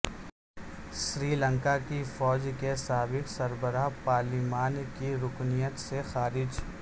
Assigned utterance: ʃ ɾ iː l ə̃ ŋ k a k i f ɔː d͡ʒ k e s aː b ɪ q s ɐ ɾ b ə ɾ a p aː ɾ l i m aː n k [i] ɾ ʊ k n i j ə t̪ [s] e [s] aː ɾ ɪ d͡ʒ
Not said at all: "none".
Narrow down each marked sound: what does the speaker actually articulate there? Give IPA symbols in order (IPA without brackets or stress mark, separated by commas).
i, s, x